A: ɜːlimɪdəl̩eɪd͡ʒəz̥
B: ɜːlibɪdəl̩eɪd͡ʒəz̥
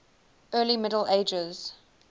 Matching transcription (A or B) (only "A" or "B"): A